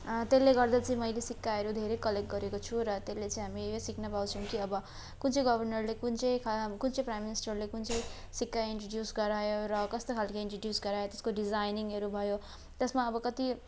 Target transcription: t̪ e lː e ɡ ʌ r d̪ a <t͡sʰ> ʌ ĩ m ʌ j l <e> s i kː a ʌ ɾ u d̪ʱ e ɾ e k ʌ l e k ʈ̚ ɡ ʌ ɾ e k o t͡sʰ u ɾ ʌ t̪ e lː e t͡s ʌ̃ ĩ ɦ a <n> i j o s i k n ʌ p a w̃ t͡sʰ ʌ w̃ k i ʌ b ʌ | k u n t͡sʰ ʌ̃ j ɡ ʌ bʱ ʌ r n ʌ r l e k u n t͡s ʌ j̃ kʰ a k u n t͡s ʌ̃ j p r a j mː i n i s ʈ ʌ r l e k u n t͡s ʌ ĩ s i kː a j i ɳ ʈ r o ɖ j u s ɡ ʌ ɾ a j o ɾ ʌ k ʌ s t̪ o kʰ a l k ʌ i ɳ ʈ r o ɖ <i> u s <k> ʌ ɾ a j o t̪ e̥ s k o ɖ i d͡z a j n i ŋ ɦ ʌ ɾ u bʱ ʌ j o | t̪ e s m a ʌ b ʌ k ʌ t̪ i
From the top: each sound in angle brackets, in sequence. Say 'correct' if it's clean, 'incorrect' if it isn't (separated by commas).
incorrect, correct, incorrect, incorrect, incorrect